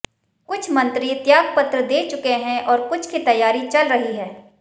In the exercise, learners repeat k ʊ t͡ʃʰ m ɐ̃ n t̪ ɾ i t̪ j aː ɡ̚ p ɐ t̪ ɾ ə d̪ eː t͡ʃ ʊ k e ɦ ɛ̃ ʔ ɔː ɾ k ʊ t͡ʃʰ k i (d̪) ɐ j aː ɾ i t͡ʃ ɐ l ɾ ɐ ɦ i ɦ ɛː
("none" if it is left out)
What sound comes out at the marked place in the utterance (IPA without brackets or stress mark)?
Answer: t̪